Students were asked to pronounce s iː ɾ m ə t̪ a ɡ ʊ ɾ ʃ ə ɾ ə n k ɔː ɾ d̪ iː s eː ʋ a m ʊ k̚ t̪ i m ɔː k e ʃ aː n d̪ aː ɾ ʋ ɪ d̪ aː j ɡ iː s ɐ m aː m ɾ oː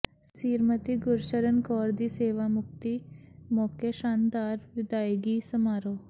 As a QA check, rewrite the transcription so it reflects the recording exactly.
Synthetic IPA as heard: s iː ɾ m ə t̪ i ɡ ʊ ɾ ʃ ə ɾ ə n k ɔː ɾ d̪ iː s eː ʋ a m ʊ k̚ t̪ i m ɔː k e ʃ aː n d̪ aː ɾ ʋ ɪ d̪ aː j ɡ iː s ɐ m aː ɾ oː